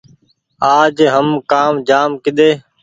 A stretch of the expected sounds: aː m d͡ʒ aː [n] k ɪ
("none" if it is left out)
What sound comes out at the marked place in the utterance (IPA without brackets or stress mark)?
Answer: m